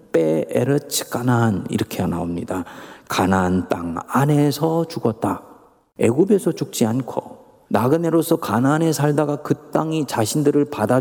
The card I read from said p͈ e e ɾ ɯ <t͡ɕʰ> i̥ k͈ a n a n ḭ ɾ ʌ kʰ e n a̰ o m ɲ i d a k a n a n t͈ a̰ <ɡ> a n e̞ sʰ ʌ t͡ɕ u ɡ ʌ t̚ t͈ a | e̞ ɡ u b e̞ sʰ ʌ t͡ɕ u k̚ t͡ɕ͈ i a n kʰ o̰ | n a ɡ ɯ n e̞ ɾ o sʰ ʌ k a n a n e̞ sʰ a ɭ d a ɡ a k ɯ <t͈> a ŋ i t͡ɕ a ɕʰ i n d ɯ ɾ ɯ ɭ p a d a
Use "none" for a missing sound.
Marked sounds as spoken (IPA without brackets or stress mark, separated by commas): t͡ɕʰ, ŋ, t͈